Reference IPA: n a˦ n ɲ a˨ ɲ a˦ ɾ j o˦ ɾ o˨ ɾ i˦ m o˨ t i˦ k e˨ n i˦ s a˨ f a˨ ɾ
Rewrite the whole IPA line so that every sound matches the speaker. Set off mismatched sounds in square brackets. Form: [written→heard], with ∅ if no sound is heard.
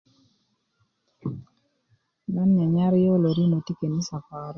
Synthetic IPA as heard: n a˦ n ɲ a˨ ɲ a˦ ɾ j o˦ [ɾ→l] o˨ ɾ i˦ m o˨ t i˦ k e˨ n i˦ s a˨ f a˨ ɾ